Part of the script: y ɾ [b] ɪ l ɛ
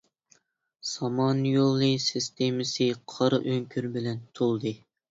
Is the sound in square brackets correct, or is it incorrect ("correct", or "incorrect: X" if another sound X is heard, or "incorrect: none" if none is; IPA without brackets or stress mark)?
correct